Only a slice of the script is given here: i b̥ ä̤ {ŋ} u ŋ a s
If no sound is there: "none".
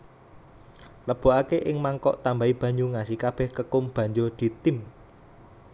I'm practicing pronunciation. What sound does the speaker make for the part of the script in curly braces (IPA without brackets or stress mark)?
ɲ